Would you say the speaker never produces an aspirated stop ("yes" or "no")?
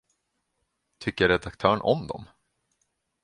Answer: no